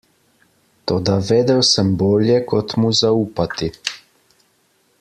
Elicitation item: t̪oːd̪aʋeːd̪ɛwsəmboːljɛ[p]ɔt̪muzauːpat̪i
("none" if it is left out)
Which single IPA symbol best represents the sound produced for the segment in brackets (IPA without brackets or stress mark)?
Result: k